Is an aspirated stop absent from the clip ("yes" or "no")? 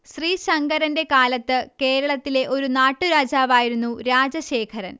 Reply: no